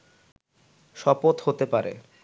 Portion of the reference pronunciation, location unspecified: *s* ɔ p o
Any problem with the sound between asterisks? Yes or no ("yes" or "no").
yes